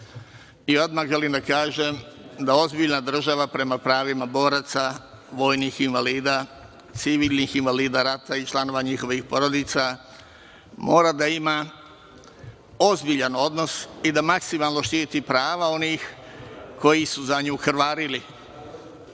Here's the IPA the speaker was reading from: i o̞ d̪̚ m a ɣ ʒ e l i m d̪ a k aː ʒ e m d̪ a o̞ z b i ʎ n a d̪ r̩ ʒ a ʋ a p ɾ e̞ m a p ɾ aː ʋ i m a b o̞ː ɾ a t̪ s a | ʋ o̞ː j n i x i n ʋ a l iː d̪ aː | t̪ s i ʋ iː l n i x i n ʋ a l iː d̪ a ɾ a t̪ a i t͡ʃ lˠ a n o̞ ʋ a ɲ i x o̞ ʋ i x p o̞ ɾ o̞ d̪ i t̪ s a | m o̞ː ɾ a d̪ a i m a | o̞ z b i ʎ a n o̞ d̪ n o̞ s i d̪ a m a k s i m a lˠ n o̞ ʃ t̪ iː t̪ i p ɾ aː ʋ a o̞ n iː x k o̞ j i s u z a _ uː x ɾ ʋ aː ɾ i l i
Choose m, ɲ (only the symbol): ɲ